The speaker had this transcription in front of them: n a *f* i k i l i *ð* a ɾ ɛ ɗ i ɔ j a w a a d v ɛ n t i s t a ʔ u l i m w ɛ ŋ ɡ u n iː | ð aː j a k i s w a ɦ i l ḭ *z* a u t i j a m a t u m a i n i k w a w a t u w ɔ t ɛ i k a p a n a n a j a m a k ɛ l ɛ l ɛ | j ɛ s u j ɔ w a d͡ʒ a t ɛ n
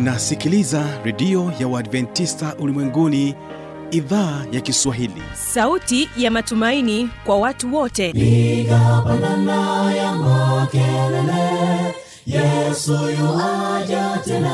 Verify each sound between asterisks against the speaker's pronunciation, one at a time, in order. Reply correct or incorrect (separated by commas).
incorrect, incorrect, incorrect